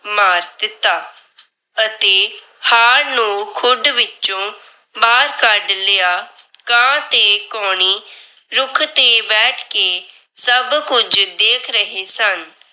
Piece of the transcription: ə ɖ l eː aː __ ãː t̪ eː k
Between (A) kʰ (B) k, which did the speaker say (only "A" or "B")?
B